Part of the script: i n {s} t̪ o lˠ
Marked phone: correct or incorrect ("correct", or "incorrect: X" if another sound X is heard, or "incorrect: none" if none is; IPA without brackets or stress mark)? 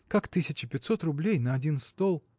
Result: correct